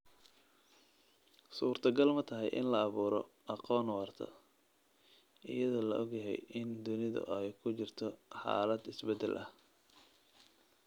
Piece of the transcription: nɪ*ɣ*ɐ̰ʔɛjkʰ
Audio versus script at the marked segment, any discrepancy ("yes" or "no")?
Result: yes